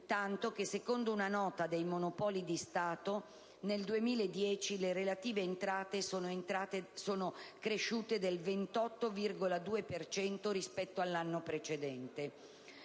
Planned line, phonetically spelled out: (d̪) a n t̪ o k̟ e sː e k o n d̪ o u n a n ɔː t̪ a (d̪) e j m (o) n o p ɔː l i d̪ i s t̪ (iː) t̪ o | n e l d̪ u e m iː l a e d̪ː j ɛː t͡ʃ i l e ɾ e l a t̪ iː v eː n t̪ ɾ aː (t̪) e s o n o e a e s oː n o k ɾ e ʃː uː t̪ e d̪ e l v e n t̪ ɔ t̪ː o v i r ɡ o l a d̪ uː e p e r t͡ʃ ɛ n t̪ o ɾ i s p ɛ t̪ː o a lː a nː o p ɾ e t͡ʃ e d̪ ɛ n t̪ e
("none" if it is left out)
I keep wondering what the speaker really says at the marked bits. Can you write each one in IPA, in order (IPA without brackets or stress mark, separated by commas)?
t̪, d̪, o, aː, t̪